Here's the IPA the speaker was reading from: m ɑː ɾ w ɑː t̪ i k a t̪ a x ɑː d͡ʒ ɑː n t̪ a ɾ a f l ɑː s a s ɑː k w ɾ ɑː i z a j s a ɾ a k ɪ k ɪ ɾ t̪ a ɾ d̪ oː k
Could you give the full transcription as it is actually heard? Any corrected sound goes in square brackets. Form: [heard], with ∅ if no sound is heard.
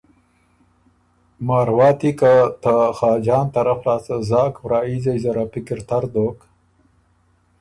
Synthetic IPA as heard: m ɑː ɾ w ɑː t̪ i k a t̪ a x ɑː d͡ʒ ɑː n t̪ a ɾ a f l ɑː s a [z] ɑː k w ɾ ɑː i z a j [z] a ɾ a [p] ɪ k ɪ ɾ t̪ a ɾ d̪ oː k

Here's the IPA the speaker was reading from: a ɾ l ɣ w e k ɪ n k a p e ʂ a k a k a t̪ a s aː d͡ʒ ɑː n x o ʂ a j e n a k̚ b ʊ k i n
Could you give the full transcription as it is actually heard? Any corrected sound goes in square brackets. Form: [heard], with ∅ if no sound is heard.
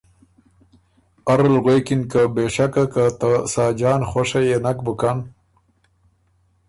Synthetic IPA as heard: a ɾ l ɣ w e k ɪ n k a [b] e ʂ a k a k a t̪ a s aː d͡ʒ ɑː n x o ʂ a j e n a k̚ b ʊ k [a] n

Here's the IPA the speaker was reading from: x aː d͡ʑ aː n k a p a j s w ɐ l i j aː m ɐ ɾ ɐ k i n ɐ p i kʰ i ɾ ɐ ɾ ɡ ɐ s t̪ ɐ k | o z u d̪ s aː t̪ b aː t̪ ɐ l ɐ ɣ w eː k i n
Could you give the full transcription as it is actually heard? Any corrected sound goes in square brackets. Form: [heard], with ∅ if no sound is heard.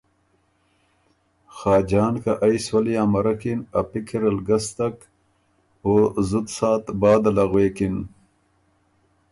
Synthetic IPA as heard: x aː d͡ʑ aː n k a [ʔ] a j s w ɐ l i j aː m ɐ ɾ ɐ k i n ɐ p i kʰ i ɾ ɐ [l] ɡ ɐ s t̪ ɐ k | o z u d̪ s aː t̪ b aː [d̪] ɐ l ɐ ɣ w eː k i n

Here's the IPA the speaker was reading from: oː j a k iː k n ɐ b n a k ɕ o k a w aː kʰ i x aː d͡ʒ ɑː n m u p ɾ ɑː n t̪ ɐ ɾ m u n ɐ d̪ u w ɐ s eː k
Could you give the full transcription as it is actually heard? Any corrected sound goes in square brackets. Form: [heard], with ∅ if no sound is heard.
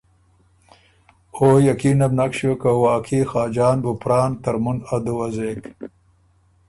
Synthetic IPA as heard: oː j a k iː [∅] n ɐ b n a k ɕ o k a w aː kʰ i x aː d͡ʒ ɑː n [b] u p ɾ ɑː n t̪ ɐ ɾ m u n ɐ d̪ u w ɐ [z] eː k

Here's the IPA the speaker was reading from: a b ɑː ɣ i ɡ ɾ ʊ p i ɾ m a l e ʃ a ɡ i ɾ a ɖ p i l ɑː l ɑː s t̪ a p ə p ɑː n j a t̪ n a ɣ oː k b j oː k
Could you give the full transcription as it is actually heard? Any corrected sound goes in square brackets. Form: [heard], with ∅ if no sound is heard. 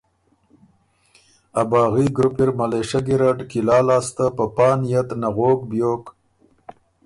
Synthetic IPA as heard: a b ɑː ɣ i ɡ ɾ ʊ p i ɾ m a l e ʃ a ɡ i ɾ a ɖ [k] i l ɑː l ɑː s t̪ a p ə p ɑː n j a t̪ n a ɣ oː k b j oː k

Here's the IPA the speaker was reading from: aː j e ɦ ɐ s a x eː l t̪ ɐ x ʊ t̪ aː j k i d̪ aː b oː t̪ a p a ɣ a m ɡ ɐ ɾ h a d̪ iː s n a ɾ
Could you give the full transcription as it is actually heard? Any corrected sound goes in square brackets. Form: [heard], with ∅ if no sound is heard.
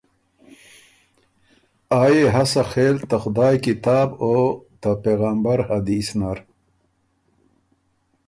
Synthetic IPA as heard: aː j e ɦ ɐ s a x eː l t̪ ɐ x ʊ [d̪] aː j k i [t̪] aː b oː t̪ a p [e] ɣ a m [b] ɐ ɾ h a d̪ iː s n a ɾ

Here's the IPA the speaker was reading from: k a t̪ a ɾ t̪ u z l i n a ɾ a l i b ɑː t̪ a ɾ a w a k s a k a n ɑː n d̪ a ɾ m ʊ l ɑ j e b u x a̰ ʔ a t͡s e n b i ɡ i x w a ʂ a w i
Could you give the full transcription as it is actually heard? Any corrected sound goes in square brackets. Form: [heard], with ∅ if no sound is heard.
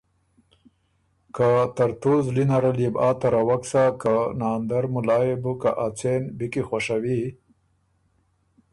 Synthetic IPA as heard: k a t̪ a ɾ t̪ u z l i n a ɾ a l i b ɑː t̪ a ɾ a w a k s a k a n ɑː n d̪ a ɾ m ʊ l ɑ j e b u [k] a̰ ʔ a t͡s e n b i [k] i x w a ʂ a w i

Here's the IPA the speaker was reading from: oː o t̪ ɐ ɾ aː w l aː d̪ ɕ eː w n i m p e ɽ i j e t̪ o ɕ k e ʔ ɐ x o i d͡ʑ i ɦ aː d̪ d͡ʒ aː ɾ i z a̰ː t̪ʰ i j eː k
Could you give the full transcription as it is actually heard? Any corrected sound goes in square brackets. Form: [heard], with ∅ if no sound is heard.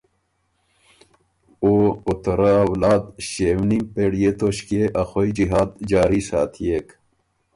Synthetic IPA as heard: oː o t̪ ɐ ɾ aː w l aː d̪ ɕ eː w n i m p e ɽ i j e t̪ o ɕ k e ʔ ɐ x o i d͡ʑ i ɦ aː d̪ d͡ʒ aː ɾ i [s] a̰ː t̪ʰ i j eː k

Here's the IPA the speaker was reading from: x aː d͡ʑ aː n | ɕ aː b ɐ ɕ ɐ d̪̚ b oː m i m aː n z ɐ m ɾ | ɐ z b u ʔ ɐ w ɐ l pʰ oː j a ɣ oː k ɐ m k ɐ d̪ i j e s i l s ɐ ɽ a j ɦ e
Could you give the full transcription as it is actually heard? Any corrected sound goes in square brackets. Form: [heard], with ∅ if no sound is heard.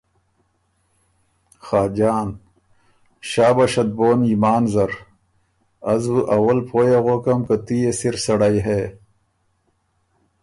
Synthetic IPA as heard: x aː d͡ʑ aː n | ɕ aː b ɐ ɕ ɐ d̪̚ b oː [n] i m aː n z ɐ [∅] ɾ | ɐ z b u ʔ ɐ w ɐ l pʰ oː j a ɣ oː k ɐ m k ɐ [t̪] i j e s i [ɾ] s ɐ ɽ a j ɦ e

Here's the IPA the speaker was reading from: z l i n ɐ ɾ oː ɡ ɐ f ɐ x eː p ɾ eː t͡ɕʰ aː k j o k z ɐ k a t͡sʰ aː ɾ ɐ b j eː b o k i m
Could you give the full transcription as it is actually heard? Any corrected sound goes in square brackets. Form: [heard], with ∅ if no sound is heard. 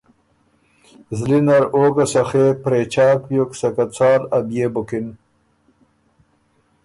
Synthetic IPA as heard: z l i n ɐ ɾ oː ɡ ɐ [s] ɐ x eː p ɾ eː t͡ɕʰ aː k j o k [s] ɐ k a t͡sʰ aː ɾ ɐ b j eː b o k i [n]

